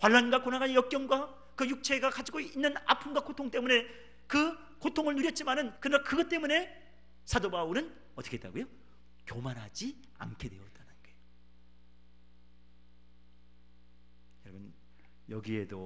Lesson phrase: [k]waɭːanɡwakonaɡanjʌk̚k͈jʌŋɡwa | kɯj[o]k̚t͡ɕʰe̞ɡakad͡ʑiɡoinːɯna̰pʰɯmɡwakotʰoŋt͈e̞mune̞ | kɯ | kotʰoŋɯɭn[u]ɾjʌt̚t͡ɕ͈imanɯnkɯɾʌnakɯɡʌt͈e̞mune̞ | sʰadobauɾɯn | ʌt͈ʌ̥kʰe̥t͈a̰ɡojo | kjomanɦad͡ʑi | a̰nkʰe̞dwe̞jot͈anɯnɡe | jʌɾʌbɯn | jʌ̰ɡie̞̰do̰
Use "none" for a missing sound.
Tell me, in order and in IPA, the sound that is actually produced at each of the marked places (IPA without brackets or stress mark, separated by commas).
k, u, u